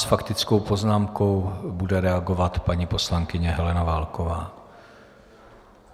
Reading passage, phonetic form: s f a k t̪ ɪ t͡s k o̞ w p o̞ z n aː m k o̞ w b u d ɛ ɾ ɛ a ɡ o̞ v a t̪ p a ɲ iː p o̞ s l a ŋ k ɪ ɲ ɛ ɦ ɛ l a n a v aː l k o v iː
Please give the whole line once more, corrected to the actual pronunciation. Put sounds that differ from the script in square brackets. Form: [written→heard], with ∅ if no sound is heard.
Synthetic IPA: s f a k t̪ ɪ t͡s k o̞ w p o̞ z n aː m k o̞ w b u d ɛ ɾ ɛ a ɡ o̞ v a t̪ p a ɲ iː p o̞ s l a ŋ k ɪ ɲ ɛ ɦ ɛ l [a→ɛ] n a v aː l k o v [iː→aː]